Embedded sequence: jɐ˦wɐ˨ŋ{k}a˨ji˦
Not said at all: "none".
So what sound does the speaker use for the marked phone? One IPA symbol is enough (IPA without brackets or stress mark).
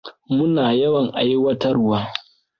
ʔ